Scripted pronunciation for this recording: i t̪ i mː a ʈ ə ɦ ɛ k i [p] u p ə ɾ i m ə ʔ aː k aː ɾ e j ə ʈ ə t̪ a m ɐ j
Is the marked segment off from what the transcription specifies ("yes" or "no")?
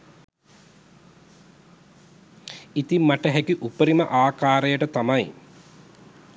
yes